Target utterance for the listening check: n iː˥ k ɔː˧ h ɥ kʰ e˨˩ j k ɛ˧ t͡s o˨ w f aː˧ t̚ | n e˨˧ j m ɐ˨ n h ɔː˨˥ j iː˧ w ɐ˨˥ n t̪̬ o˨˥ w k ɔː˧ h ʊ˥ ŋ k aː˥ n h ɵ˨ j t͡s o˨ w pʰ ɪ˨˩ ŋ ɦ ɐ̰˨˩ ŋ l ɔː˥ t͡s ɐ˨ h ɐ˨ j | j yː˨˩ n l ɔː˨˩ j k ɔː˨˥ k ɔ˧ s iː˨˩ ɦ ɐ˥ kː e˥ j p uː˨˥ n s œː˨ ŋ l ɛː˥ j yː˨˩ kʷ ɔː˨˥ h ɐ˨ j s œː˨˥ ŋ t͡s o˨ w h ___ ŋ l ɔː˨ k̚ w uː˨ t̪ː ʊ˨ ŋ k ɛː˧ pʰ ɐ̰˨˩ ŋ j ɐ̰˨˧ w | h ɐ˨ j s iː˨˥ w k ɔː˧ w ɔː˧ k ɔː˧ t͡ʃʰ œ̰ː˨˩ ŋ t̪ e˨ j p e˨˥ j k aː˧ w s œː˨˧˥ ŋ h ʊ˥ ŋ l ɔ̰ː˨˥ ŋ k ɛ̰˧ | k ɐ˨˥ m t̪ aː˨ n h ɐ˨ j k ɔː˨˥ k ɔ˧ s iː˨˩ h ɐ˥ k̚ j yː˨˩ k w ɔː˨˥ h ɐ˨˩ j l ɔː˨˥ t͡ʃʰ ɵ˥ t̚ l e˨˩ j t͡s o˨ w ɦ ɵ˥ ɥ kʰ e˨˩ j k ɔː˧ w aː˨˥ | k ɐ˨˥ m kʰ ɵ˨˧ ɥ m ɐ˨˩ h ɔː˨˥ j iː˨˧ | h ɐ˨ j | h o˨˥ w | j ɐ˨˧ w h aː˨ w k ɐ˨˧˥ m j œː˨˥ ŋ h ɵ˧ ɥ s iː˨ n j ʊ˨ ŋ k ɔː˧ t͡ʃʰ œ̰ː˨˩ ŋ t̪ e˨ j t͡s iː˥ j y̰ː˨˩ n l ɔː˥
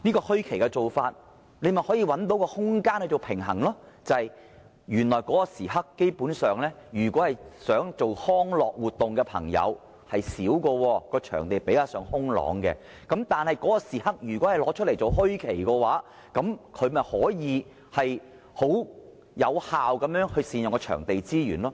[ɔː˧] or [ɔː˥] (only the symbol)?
ɔː˥